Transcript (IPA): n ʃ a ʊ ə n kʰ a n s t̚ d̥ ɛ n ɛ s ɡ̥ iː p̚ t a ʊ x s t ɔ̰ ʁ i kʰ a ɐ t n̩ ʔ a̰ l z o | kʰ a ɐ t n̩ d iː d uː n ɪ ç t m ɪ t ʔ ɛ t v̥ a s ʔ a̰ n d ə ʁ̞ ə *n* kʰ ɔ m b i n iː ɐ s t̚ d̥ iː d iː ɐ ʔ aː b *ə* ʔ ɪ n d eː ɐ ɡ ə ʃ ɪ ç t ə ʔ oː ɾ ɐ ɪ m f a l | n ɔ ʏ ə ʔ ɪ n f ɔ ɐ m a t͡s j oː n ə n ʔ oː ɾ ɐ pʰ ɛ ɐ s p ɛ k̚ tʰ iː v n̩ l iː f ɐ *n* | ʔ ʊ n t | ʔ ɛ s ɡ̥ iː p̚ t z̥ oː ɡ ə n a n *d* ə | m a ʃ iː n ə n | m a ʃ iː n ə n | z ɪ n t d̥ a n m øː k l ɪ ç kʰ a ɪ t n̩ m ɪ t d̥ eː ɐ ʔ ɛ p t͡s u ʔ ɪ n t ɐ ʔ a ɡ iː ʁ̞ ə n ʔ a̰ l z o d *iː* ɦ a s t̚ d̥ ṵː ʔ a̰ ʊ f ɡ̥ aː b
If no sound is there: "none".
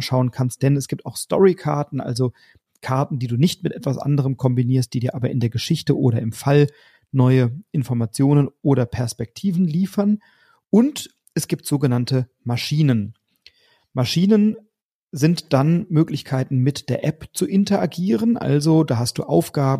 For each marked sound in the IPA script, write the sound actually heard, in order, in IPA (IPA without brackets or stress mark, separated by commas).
m, ɐ, n, t, aː